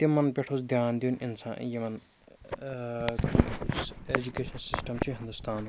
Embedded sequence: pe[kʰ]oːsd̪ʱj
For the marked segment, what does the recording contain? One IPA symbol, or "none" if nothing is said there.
ʈʰ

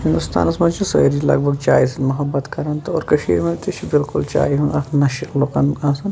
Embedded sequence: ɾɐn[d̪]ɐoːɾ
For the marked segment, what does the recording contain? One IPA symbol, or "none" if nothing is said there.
t̪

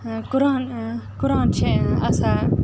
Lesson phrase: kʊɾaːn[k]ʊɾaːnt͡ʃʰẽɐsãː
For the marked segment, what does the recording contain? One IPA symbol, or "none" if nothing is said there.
k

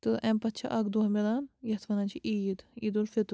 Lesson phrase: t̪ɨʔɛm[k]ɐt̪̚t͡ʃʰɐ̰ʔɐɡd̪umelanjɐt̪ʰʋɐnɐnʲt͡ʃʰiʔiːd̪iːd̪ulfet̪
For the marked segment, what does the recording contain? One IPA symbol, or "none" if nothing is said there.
p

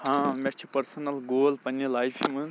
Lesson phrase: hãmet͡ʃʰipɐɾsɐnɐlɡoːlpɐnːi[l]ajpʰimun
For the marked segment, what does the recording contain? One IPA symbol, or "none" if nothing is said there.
l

